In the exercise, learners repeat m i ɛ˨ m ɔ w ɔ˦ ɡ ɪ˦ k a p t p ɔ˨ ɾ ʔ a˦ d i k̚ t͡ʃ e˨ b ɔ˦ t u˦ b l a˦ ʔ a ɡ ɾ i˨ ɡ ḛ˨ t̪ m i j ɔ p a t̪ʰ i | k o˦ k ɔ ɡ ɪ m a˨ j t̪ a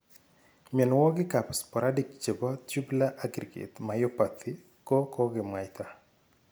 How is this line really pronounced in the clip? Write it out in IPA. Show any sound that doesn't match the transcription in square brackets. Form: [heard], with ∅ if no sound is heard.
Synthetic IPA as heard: m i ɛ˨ [n] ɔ w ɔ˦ ɡ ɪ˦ k a p [s] p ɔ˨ ɾ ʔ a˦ d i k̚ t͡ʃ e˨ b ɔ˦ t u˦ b l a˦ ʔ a ɡ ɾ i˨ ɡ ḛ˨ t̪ m [a] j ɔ p a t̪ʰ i | k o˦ k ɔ ɡ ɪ m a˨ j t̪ a